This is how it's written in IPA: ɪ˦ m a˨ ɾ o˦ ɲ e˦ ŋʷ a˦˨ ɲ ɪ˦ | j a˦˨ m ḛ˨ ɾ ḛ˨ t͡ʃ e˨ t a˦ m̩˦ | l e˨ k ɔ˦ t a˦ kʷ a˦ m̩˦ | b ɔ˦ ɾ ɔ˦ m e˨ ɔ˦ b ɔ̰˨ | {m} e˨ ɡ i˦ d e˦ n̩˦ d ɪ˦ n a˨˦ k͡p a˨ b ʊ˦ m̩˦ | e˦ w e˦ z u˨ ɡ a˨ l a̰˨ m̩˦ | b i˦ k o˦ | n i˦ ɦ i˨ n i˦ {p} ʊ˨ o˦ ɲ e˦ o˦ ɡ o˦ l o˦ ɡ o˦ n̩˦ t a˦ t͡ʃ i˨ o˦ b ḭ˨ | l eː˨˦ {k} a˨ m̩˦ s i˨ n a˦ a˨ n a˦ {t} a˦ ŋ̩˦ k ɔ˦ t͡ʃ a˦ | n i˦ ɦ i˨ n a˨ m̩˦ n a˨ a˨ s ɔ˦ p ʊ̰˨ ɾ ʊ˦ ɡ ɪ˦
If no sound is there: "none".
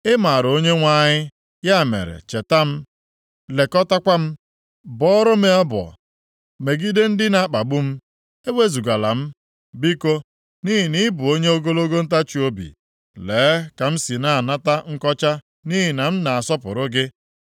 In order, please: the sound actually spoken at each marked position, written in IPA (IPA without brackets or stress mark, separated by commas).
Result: m, b, k, t